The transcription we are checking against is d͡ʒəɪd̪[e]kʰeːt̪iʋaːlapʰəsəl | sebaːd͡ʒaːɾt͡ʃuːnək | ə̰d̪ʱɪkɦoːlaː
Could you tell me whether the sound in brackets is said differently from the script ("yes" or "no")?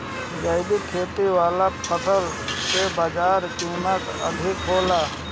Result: yes